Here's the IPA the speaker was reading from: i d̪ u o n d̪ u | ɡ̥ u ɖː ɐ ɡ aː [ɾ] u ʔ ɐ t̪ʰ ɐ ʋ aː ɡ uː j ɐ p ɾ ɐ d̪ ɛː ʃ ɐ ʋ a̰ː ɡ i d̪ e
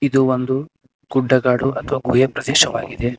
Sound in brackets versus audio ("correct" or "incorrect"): incorrect